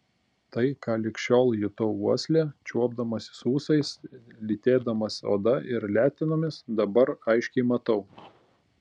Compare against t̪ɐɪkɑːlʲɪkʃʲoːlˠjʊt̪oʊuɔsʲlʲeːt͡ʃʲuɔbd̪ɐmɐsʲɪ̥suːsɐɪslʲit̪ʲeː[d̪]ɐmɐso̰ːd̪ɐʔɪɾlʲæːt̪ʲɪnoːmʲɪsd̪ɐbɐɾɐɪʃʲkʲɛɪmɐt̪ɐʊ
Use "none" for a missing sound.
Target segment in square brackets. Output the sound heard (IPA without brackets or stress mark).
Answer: d̪